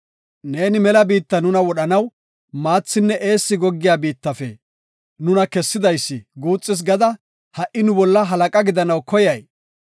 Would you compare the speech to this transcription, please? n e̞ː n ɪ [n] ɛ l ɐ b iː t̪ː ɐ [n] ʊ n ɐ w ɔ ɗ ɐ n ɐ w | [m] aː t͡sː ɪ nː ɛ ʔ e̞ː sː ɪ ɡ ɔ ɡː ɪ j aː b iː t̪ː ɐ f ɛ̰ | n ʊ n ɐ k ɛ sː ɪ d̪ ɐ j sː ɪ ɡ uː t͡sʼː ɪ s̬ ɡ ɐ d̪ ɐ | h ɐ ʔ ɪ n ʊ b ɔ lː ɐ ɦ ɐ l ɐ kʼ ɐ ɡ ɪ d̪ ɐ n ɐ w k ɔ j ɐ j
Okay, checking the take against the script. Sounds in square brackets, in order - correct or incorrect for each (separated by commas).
incorrect, correct, correct